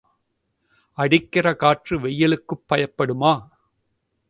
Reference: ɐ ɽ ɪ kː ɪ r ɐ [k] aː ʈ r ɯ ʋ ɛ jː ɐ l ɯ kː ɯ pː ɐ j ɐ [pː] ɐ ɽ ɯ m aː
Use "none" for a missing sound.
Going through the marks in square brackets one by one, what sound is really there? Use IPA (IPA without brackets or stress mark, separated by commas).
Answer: k, pː